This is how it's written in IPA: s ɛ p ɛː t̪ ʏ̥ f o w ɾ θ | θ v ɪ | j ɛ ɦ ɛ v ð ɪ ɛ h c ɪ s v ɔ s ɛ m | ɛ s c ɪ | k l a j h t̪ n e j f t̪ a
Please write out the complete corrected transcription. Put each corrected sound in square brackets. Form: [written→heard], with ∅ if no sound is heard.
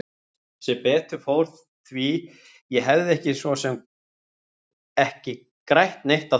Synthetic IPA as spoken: s ɛ p ɛː t̪ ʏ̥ f o w ɾ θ | θ v [ɪ→i] | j ɛ ɦ ɛ v ð ɪ ɛ h c ɪ s v ɔ s ɛ m | ɛ [s→h] c ɪ | k [l→ɾ] a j h t̪ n e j [f→h] t̪ a